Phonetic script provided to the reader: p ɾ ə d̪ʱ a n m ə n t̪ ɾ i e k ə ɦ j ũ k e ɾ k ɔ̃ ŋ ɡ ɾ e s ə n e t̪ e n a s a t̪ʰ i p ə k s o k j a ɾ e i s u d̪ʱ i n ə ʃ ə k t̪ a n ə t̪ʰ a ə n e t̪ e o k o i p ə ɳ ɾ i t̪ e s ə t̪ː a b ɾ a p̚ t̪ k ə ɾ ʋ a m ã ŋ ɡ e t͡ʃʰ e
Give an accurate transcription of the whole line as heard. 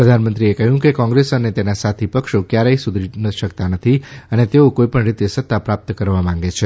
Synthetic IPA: p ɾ ə d̪ʱ a n m ə n t̪ ɾ i e k ə ɦ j ũ k e k ɔ̃ ŋ ɡ ɾ e s ə n e t̪ e n a s a t̪ʰ i p ə k ʃ o k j a ɾ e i s u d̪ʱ i n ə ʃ ə k t̪ a n ə t̪ʰ i ə n e t̪ e o k o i p ə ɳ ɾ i t̪ e s ə t̪ː a p ɾ a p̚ t̪ k ə ɾ ʋ a m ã ŋ ɡ e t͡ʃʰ e